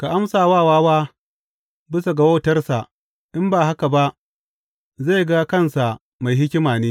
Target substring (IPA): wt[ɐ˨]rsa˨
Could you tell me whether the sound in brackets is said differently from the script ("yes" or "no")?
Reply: yes